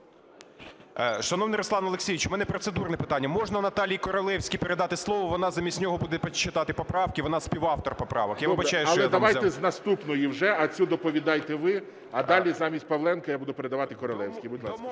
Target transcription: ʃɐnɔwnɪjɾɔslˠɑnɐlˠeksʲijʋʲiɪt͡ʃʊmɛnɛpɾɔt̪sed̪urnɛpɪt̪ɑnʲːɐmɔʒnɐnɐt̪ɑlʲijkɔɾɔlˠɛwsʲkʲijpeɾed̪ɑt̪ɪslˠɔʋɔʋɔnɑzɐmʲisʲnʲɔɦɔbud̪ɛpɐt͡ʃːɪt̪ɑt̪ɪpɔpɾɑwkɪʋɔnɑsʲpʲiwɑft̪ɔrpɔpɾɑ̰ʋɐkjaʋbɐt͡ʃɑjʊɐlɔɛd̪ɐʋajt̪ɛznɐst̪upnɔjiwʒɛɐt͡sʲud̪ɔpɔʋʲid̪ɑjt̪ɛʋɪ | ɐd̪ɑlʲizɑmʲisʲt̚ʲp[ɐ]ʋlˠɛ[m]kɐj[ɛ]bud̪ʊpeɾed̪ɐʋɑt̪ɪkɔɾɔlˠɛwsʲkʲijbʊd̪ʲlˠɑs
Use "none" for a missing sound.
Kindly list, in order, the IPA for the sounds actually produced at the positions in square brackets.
ɐ, n, a

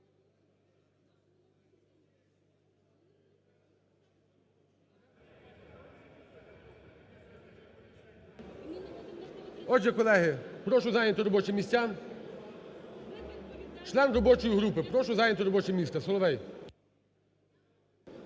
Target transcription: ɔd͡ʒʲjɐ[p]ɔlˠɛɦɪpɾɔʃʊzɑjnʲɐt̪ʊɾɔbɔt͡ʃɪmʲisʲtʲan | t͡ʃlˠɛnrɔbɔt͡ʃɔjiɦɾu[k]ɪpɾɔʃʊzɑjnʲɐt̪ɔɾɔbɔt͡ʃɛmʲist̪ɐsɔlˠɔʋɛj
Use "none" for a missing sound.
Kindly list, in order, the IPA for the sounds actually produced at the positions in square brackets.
k, p

